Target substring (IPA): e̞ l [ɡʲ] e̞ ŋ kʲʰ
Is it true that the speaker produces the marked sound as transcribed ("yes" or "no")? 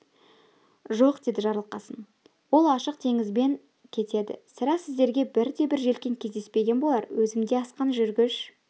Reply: no